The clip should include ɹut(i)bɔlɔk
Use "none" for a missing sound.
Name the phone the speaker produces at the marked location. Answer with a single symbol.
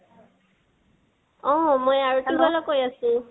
i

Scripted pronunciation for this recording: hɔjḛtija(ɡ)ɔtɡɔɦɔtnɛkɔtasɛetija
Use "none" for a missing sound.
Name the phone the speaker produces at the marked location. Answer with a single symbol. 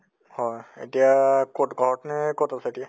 k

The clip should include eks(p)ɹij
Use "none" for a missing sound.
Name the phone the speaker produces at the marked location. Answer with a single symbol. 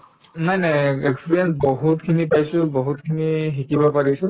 p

